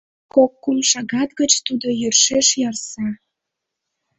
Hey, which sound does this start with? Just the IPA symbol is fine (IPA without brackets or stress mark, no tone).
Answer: k